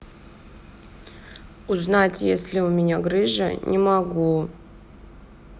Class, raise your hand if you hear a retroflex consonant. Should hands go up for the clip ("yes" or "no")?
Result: yes